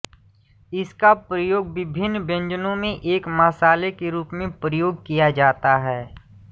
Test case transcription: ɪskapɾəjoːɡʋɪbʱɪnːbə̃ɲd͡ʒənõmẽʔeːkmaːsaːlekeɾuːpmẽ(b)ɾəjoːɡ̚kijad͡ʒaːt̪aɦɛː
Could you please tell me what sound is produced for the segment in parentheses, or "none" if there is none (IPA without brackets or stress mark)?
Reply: p